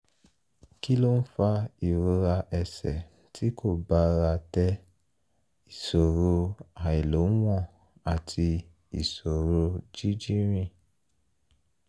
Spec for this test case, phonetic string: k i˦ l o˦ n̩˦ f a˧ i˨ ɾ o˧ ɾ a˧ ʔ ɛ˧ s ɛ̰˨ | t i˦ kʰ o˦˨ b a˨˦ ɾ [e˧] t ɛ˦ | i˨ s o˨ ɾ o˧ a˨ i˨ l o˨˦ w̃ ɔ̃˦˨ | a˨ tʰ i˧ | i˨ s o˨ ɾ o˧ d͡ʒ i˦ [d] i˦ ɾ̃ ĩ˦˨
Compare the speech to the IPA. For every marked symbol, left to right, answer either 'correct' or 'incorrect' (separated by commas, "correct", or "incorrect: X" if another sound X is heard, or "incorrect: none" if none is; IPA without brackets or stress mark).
incorrect: a˧, incorrect: d͡ʒ